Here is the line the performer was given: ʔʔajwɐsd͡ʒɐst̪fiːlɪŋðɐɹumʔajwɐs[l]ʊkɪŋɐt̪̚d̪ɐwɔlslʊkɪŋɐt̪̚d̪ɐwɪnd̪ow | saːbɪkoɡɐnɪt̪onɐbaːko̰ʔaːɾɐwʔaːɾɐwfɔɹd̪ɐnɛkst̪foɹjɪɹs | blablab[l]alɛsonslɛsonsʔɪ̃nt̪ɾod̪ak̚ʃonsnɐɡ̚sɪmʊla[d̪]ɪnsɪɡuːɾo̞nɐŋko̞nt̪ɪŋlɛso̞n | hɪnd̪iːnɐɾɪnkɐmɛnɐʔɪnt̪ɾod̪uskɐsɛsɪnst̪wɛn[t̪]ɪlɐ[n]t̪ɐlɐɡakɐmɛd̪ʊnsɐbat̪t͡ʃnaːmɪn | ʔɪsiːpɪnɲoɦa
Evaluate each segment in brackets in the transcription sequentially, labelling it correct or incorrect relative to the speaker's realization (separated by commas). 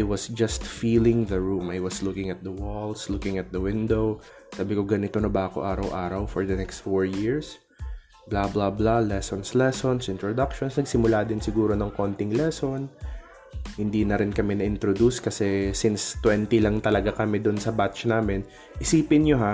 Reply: correct, correct, correct, correct, incorrect